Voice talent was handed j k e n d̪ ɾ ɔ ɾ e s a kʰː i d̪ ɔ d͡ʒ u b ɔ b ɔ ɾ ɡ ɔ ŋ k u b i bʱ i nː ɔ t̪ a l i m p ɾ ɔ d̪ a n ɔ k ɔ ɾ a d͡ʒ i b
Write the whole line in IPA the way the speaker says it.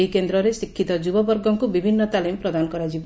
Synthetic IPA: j k e n d̪ ɾ ɔ ɾ e s i kʰː i t̪ ɔ d͡ʒ u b ɔ b ɔ ɾ ɡ ɔ ŋ k u b i bʱ i nː ɔ t̪ a l i m p ɾ ɔ d̪ a n ɔ k ɔ ɾ a d͡ʒ i b